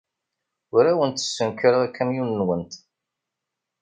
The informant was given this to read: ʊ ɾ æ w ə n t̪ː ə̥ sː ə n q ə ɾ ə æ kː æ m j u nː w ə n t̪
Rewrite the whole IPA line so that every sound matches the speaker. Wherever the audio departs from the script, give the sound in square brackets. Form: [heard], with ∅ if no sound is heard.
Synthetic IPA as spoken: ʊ ɾ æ w ə n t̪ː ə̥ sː ə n [k] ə ɾ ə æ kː æ m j u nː w ə n t̪